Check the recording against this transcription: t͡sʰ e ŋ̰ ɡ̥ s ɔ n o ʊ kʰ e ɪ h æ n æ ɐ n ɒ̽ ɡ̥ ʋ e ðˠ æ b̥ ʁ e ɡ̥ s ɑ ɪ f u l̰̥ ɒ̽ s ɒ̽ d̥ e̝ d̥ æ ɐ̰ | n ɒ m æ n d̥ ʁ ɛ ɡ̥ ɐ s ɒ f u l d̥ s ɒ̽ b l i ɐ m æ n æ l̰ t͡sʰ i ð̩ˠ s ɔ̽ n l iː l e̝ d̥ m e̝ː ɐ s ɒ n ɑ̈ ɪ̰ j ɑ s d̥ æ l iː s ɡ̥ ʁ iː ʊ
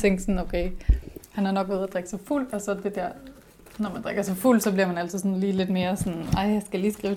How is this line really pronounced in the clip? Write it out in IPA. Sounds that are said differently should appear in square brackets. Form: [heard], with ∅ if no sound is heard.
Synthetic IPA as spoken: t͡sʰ e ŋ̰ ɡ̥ s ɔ n o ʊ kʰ e ɪ h æ n æ ɐ n ɒ̽ ɡ̥ ʋ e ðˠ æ [d̥] ʁ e ɡ̥ s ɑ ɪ f u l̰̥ ɒ̽ s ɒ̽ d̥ e̝ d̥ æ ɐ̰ | n ɒ m æ n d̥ ʁ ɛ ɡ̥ ɐ s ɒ f u l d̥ s ɒ̽ b l i ɐ m æ n æ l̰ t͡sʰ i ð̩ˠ s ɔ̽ n l iː l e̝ d̥ m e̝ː ɐ s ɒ n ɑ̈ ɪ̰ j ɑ s [ɡ̥] æ l iː s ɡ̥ ʁ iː ʊ